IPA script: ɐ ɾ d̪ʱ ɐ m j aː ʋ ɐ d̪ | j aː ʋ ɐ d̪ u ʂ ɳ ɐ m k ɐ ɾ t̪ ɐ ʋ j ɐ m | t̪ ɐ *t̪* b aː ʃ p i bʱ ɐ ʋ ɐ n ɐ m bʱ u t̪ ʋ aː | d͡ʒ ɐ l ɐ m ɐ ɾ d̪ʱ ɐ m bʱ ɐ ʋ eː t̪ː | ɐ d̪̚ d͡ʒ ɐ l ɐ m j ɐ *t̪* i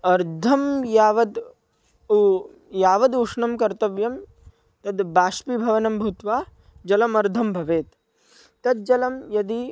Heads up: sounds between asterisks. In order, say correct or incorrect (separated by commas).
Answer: incorrect, incorrect